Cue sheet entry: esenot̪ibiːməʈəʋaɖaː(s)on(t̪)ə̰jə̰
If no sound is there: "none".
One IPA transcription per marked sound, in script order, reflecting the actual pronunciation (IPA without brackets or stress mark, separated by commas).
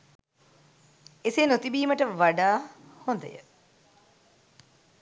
h, d̪